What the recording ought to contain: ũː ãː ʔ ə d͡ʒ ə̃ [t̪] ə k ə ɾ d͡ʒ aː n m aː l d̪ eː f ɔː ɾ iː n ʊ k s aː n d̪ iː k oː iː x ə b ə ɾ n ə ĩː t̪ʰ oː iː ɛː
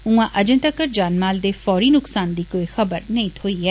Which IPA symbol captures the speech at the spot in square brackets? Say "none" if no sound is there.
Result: t̪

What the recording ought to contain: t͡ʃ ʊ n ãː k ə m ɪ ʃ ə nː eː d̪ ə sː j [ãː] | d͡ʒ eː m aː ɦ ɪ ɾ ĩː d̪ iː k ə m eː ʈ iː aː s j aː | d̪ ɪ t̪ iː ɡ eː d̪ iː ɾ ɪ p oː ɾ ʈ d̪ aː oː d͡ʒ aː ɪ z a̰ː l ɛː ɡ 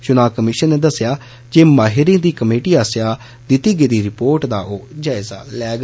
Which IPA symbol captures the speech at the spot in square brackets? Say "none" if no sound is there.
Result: aː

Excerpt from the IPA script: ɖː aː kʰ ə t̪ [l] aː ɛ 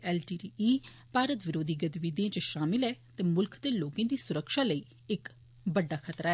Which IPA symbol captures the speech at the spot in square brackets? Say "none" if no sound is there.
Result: ɾ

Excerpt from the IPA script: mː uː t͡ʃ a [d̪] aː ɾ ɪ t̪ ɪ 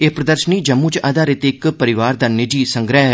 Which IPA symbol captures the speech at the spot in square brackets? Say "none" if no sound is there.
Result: d̪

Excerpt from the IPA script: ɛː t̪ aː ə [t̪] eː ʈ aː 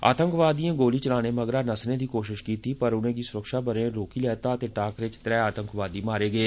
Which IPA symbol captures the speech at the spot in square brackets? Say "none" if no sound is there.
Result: t̪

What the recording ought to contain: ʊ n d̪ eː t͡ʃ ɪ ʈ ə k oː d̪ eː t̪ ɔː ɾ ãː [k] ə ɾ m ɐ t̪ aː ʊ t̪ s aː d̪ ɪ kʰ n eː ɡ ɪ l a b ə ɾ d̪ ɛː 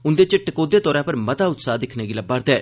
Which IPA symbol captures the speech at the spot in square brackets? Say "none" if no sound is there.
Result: p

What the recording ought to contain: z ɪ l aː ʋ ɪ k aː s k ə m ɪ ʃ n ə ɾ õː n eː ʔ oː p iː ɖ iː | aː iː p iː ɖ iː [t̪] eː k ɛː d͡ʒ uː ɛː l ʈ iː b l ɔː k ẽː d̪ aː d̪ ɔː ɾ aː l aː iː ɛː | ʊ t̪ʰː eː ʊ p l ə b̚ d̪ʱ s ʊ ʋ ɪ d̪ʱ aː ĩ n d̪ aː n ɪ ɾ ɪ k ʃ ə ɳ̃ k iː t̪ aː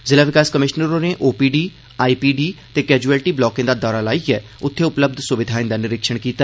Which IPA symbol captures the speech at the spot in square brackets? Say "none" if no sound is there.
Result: t̪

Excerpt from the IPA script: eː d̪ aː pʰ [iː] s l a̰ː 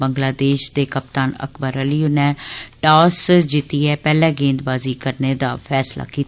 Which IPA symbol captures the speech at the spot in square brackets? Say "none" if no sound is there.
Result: ɛː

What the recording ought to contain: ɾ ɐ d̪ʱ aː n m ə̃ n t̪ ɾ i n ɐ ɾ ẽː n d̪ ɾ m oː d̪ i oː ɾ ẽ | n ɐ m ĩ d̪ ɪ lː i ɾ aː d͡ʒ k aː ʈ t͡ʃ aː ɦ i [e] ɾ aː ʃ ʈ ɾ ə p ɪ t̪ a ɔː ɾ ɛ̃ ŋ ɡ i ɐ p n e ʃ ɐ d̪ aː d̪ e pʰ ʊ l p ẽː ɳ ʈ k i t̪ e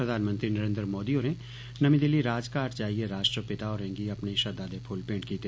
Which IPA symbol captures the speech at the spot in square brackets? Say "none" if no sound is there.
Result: e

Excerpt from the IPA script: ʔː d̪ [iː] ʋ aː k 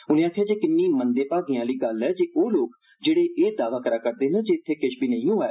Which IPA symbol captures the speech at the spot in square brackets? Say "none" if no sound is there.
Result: aː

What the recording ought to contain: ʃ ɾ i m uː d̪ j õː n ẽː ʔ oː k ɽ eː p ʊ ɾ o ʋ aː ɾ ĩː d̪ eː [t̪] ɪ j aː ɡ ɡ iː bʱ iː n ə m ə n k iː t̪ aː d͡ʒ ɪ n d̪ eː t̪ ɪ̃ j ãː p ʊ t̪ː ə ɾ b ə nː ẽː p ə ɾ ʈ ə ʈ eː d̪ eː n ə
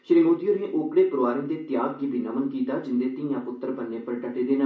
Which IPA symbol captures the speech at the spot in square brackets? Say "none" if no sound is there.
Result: t̪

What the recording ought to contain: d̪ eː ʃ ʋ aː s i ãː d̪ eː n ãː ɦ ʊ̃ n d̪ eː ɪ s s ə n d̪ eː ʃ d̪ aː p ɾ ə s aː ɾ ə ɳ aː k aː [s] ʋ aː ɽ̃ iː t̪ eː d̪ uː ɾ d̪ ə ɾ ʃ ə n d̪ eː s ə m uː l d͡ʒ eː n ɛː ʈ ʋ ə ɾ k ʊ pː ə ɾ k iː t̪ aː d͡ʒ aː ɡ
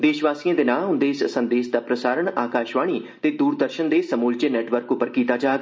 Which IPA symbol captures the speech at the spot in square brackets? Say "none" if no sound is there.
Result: ʃ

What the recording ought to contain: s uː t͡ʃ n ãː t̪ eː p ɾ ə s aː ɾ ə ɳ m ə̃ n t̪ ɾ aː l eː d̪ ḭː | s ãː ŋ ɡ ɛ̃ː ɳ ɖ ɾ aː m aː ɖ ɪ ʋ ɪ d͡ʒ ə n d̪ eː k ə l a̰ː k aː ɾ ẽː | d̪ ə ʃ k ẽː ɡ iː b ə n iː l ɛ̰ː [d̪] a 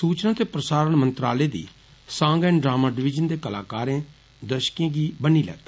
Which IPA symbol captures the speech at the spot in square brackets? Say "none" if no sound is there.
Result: t̪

